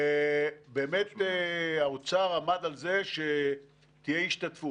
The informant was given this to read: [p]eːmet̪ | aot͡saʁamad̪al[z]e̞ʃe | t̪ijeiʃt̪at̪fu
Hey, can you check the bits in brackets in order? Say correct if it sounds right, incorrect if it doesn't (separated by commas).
incorrect, correct